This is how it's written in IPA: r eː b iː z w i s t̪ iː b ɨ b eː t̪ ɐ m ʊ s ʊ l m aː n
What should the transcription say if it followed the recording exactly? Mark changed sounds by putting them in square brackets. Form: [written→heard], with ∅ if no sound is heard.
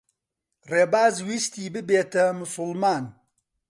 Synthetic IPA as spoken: r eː b [iː→aː] z w i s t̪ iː b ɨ b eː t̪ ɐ m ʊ s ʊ l m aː n